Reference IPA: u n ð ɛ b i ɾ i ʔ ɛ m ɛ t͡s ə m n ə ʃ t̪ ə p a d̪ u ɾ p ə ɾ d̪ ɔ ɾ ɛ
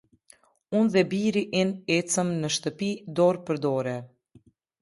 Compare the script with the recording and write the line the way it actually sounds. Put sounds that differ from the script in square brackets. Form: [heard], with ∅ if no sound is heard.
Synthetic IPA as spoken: u n ð ɛ b i ɾ i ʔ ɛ [n] ɛ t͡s ə m n ə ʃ t̪ ə p [i] d̪ [ɔ] ɾ p ə ɾ d̪ ɔ ɾ ɛ